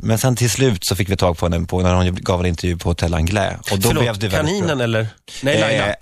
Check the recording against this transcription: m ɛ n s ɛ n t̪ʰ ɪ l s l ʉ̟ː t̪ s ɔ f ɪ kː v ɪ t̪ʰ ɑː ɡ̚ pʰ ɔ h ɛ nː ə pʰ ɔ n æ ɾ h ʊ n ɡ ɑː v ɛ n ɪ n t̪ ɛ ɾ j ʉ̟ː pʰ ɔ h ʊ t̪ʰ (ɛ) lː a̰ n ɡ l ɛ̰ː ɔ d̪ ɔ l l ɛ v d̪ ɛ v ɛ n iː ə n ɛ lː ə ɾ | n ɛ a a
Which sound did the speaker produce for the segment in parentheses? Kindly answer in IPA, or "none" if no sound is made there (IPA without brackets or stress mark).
ɛ